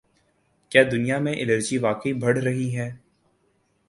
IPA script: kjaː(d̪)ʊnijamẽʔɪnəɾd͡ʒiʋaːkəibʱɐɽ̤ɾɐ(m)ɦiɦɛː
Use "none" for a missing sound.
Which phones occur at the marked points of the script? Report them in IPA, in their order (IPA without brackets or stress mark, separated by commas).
d̪, none